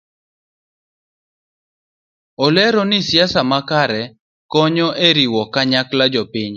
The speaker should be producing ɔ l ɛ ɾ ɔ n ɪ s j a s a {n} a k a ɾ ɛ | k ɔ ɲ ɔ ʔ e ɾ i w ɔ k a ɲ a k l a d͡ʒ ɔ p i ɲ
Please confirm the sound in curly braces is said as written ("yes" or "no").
no